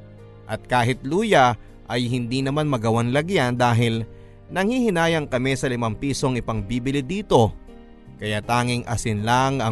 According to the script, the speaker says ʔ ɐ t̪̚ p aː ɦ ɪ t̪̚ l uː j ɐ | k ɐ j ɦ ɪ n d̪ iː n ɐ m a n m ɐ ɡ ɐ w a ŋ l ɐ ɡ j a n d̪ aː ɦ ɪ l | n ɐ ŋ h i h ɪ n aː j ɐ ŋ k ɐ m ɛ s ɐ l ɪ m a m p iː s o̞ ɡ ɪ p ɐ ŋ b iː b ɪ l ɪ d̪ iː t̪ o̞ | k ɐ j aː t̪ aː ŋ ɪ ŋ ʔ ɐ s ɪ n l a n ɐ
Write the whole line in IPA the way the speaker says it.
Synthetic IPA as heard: ʔ ɐ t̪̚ k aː ɦ ɪ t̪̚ l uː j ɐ | ʔ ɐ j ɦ ɪ n d̪ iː n ɐ m a n m ɐ ɡ ɐ w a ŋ l ɐ ɡ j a n d̪ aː ɦ ɪ l | n ɐ ŋ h i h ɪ n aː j ɐ ŋ k ɐ m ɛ s ɐ l ɪ m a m p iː s o̞ ŋ ɪ p ɐ ŋ b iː b ɪ l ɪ d̪ iː t̪ o̞ | k ɐ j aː t̪ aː ŋ ɪ ŋ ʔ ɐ s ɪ n l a ŋ ɐ